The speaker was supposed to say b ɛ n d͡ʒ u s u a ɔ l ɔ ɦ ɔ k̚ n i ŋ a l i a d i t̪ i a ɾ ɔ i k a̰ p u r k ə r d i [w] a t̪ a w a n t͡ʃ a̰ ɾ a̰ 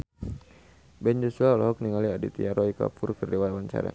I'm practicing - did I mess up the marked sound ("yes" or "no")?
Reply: no